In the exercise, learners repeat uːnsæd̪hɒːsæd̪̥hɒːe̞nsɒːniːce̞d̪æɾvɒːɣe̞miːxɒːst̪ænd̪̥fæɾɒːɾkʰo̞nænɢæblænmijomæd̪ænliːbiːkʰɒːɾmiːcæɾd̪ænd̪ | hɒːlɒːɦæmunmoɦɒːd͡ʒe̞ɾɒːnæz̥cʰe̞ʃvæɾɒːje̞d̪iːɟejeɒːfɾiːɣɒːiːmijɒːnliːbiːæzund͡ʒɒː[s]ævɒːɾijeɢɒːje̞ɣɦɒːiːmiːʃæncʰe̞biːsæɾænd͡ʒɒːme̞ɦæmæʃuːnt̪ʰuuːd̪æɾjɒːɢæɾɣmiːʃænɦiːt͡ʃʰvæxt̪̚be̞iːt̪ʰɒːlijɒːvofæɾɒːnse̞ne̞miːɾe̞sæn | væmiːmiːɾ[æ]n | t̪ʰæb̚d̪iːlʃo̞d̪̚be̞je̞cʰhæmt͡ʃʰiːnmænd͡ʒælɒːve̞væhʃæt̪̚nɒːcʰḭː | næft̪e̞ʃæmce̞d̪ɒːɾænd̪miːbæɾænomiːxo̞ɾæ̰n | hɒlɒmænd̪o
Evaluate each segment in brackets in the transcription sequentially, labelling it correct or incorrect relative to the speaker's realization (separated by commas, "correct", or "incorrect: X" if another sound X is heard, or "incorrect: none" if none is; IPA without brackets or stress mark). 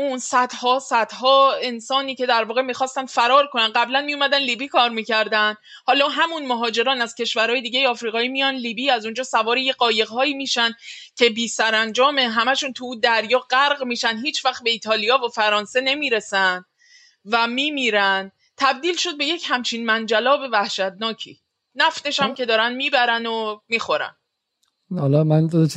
correct, correct